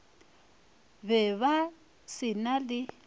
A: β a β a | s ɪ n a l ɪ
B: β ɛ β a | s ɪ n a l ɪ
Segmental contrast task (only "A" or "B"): B